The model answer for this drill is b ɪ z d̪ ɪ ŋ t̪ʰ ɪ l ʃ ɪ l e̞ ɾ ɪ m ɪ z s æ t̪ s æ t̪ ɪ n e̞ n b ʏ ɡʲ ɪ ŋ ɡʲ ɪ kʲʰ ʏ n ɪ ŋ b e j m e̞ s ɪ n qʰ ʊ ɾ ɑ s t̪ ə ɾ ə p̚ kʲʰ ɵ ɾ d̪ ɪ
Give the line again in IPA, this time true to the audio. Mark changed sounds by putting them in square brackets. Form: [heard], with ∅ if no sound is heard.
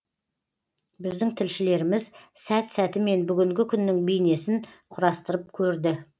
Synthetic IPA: b ɪ z d̪ ɪ ŋ t̪ʰ ɪ l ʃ ɪ l e̞ ɾ ɪ m ɪ z s æ t̪ s æ t̪ ɪ [m] e̞ n b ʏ ɡʲ ɪ ŋ ɡʲ ɪ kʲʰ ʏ [nː] ɪ ŋ b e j [n] e̞ s ɪ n qʰ ʊ ɾ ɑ s t̪ ə ɾ ə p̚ kʲʰ ɵ ɾ d̪ ɪ